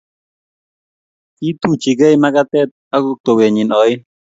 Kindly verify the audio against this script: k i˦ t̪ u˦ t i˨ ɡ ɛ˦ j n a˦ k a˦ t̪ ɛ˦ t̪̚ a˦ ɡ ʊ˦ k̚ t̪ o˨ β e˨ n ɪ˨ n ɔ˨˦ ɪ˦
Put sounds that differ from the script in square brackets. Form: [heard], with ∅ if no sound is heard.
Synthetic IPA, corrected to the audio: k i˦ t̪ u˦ [t͡ʃ] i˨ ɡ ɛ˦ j [m] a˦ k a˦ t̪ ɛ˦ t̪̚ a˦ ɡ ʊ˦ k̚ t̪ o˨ [w] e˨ [ɲ] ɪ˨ n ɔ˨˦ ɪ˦